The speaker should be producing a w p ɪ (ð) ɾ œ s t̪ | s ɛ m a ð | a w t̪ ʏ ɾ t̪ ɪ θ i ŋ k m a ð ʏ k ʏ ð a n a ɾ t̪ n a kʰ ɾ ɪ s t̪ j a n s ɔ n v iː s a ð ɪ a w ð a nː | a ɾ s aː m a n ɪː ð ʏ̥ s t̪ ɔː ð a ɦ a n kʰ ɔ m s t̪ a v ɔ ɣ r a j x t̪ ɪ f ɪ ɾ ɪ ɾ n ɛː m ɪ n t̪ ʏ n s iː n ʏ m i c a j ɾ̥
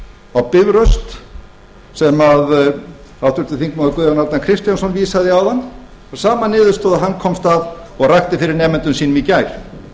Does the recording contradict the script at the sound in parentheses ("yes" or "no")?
yes